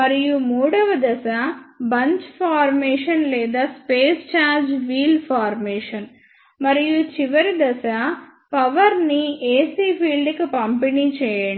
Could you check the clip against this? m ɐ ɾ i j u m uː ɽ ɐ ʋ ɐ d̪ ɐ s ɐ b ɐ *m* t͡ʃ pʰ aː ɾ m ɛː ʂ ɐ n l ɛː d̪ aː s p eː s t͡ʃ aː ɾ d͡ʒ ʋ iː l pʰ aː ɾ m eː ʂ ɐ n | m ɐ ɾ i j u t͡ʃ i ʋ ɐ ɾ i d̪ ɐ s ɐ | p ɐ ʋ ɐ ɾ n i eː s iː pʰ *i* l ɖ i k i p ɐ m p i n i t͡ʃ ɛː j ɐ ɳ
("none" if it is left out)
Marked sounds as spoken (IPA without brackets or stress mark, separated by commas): ɲ, iː